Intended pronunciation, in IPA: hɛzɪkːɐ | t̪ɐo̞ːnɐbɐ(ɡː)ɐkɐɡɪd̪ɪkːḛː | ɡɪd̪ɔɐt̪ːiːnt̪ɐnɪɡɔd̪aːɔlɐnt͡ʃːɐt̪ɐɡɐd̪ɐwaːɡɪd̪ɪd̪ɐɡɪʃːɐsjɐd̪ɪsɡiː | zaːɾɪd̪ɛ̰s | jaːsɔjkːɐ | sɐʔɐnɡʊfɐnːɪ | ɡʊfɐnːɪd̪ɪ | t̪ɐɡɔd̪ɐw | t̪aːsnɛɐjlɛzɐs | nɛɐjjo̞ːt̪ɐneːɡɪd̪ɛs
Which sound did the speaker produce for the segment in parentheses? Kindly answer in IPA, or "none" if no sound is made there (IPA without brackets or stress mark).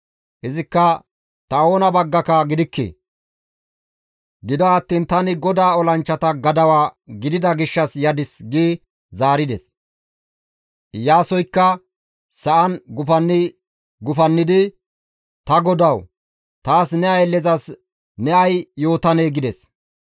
ɡː